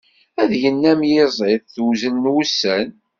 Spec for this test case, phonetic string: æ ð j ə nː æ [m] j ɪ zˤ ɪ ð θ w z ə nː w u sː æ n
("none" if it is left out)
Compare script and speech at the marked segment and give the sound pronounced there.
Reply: m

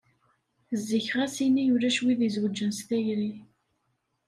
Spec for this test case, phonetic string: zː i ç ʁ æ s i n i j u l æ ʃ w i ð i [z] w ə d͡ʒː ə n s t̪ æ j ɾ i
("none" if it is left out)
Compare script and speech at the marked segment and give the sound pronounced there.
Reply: z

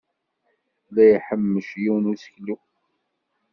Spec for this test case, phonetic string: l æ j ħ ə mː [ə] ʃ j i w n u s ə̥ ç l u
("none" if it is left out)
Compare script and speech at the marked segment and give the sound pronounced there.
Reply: ə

